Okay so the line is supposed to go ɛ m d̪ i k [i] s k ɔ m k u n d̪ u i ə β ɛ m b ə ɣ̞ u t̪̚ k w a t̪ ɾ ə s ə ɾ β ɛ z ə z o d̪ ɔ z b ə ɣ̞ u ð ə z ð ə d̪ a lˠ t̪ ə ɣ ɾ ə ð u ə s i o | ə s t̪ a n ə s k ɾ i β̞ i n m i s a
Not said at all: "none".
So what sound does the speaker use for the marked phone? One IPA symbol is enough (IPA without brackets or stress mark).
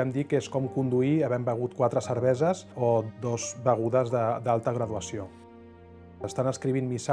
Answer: e